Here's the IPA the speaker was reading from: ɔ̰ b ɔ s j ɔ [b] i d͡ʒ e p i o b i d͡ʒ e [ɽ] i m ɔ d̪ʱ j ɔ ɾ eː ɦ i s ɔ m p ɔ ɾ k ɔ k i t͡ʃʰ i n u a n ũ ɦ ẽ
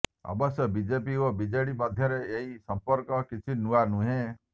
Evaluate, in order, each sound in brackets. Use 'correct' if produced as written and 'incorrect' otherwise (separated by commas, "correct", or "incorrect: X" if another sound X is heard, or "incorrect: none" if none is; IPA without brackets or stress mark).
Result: correct, correct